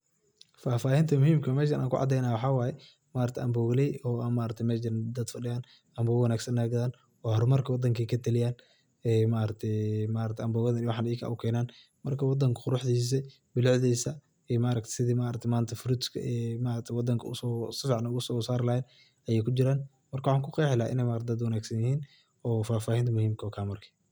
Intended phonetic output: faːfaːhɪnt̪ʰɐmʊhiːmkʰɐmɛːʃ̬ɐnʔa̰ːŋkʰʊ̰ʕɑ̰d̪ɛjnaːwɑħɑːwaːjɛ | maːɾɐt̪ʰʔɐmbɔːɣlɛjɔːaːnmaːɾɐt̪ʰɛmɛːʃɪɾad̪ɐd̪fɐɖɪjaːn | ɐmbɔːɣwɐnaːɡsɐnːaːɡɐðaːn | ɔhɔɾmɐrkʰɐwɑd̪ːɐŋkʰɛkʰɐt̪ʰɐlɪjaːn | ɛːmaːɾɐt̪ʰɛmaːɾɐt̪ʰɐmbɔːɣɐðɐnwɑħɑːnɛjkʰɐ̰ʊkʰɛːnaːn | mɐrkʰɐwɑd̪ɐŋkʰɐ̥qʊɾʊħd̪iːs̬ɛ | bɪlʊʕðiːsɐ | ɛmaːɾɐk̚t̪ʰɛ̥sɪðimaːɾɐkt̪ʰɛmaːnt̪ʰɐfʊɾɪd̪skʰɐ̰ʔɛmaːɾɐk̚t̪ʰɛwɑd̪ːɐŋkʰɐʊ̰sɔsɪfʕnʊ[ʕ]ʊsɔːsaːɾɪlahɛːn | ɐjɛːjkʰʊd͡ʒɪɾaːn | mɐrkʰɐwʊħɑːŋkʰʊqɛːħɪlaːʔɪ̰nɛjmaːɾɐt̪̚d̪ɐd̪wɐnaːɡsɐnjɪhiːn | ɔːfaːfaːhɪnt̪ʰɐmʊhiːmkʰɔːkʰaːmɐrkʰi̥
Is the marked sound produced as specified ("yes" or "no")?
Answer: no